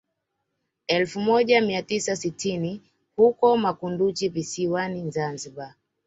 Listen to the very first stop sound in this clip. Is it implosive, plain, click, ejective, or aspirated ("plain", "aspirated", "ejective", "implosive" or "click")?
implosive